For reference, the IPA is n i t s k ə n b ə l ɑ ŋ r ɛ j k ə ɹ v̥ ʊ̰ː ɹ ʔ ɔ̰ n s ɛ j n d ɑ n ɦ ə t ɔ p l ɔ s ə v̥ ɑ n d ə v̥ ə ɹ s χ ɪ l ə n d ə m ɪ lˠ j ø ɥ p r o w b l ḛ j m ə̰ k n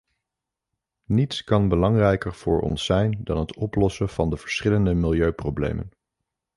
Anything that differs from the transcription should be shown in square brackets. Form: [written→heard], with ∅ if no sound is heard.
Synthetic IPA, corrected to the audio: n i t s k [ə→ɑ] n b ə l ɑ ŋ r ɛ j k ə ɹ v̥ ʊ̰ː ɹ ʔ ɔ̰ n s ɛ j n d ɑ n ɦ ə t ɔ p l ɔ s ə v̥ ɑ n d ə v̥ ə ɹ s χ ɪ l ə n d ə m ɪ lˠ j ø ɥ p r o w b l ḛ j m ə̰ [k→∅] n